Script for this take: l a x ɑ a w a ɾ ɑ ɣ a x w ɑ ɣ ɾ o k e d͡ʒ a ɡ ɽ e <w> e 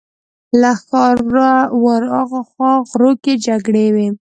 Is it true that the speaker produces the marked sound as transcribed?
yes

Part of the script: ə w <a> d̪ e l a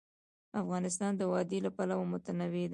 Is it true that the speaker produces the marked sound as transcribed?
no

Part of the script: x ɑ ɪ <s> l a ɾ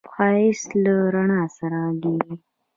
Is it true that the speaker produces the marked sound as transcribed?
yes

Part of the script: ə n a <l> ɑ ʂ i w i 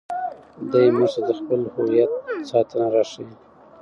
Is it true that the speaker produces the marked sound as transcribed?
no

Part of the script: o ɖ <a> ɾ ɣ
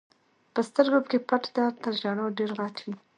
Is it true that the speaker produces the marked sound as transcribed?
no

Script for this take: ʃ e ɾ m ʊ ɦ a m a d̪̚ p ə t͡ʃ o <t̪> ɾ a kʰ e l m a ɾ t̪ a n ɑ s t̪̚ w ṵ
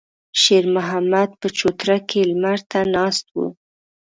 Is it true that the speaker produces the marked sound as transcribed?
yes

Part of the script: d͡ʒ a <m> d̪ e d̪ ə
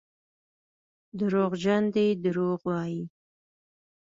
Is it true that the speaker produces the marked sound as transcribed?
no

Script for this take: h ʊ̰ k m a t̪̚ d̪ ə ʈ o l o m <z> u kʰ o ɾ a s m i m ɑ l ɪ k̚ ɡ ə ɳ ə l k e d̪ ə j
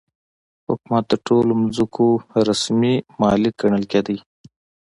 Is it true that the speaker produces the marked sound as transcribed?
yes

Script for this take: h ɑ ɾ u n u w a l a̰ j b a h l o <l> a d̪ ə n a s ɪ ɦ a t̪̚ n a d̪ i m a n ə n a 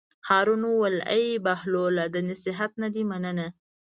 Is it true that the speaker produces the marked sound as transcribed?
yes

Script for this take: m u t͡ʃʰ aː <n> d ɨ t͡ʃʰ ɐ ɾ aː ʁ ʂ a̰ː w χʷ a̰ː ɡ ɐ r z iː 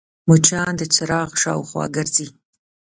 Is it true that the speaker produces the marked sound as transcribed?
yes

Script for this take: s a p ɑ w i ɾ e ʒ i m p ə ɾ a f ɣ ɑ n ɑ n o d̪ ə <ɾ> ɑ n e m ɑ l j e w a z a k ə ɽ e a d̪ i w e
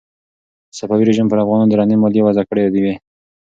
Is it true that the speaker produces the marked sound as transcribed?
yes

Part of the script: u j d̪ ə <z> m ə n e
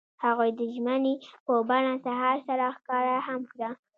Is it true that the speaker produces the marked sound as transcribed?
no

